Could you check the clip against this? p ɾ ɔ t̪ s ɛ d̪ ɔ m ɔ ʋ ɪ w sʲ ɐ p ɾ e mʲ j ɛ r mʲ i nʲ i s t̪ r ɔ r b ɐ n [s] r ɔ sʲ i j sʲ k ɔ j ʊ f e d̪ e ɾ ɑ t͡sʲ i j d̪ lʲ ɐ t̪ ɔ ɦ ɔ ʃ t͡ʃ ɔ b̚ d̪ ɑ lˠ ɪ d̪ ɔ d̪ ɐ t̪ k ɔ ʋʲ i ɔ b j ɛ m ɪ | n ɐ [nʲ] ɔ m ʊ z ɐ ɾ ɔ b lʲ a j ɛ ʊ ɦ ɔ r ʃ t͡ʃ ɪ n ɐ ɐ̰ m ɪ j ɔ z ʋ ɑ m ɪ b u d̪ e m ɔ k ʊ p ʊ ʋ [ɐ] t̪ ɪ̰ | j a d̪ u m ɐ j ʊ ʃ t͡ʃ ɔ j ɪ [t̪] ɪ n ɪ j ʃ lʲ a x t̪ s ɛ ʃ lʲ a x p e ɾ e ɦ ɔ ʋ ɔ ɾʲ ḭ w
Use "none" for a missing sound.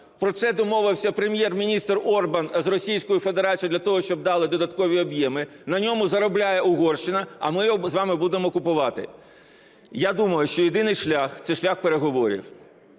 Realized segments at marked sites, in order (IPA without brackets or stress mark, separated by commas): z, nʲ, ɑ, d̪